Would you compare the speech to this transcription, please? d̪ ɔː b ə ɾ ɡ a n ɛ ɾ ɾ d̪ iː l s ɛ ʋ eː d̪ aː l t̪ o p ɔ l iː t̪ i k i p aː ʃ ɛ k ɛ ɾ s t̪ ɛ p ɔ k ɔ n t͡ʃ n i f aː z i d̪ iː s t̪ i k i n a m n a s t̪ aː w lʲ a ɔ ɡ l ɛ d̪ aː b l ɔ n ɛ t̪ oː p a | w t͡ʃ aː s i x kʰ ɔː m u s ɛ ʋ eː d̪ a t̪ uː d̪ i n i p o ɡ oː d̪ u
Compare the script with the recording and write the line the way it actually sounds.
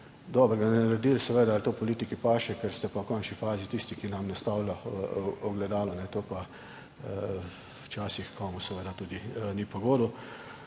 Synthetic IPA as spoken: d̪ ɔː b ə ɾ ɡ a n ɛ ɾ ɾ d̪ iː l s ɛ ʋ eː d̪ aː l t̪ o p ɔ l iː t̪ i k i p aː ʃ ɛ k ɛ ɾ s t̪ ɛ p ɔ k ɔ n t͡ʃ n i f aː z i t̪ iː s t̪ i k i n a m n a s t̪ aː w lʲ a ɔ ɡ l ɛ d̪ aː l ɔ n ɛ t̪ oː p a | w t͡ʃ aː s i x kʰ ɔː m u s ɛ ʋ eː d̪ a t̪ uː d̪ i n i p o ɡ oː d̪ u